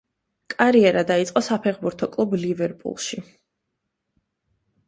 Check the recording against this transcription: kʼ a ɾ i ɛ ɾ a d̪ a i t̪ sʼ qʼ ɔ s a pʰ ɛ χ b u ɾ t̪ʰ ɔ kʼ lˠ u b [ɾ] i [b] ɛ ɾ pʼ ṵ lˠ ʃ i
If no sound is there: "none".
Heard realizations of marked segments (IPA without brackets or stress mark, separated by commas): l, v